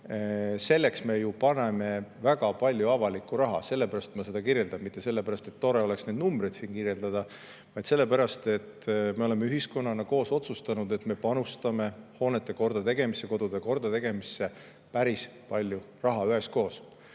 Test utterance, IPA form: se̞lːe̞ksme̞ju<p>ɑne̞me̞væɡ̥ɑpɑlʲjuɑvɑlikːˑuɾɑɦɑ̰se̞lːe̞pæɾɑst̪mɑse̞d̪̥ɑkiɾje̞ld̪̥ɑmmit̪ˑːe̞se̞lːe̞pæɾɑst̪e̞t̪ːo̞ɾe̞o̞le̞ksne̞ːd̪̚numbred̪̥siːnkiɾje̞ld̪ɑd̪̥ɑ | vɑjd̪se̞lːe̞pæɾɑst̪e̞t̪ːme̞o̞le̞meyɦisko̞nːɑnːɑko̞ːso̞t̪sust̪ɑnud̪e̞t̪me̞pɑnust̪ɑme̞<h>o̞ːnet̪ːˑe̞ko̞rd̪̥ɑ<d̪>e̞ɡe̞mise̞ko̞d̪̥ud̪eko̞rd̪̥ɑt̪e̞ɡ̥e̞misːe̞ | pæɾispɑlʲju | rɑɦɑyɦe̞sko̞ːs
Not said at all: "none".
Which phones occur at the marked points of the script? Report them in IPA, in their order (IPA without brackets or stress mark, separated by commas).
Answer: p, h, t̪